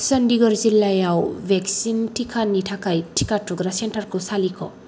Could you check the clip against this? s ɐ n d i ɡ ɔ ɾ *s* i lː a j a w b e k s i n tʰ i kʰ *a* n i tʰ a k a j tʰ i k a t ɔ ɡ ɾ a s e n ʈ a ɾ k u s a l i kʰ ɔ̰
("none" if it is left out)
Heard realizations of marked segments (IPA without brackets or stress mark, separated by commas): z, a